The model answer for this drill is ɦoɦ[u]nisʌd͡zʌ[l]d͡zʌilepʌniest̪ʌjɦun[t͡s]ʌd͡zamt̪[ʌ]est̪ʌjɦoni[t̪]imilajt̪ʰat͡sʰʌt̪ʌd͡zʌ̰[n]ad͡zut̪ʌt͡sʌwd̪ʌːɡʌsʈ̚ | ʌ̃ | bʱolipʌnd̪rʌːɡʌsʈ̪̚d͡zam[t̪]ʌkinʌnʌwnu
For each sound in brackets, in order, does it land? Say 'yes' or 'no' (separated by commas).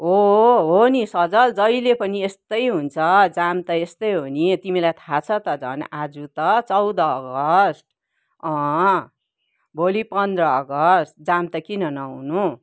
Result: no, yes, no, yes, yes, yes, yes